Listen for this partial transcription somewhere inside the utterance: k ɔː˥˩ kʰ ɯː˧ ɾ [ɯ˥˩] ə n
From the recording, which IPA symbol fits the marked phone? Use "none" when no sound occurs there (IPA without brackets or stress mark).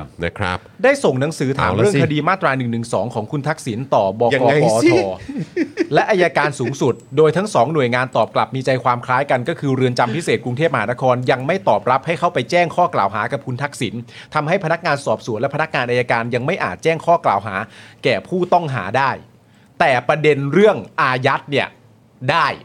ɯ˧